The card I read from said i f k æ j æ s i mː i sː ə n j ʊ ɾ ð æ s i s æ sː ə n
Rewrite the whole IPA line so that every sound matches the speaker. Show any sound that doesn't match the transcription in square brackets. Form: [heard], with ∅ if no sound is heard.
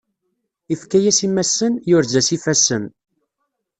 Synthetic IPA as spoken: i f k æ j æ s i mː [æ] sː ə n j ʊ ɾ [z] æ s i [f] æ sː ə n